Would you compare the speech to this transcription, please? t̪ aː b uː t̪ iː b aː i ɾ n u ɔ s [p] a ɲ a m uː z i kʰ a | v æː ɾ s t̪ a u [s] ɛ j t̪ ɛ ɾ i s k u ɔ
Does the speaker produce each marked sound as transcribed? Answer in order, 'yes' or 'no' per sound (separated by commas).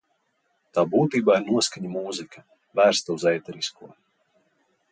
no, no